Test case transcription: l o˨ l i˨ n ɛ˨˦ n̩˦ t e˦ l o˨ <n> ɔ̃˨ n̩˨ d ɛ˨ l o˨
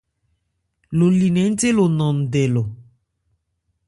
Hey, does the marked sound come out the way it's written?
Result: yes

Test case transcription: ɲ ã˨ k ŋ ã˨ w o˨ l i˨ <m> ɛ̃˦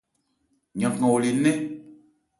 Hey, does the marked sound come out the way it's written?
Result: no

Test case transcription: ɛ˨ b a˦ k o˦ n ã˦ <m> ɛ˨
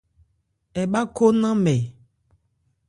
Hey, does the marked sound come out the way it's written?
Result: yes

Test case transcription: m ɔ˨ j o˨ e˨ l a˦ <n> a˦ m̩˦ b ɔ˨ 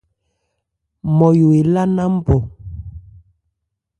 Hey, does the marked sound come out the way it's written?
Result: yes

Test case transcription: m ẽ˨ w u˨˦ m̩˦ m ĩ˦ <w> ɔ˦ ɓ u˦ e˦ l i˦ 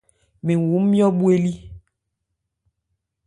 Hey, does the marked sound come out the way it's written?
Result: no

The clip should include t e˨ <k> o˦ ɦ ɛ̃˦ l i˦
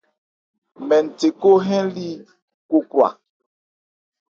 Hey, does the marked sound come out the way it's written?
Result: yes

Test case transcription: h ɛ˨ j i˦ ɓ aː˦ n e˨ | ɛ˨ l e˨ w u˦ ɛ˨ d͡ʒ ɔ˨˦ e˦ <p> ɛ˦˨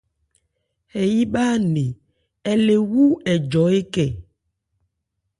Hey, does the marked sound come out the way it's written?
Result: no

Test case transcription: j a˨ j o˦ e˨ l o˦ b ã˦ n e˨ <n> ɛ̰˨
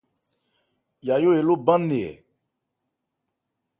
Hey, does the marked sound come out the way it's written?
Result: no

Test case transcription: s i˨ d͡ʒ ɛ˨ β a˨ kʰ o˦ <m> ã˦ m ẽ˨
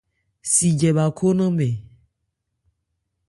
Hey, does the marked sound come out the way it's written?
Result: no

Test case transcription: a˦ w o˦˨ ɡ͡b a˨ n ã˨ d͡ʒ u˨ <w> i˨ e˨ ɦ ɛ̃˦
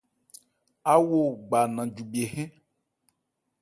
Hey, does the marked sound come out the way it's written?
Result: no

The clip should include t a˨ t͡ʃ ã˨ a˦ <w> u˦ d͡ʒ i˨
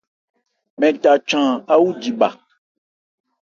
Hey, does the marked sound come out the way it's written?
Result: yes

